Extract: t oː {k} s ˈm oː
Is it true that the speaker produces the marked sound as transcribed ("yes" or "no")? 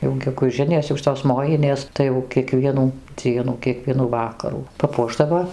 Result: no